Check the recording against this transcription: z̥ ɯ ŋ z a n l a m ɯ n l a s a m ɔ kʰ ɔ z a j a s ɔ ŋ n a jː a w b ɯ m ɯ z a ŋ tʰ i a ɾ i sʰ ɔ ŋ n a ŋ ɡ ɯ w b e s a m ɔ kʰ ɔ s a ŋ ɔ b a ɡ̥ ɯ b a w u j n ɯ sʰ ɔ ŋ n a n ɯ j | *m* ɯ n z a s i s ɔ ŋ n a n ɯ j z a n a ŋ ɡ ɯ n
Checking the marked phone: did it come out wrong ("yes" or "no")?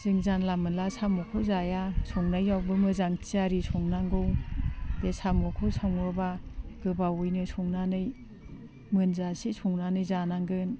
no